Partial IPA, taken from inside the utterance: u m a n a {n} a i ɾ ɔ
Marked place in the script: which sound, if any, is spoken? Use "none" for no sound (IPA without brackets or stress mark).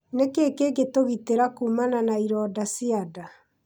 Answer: n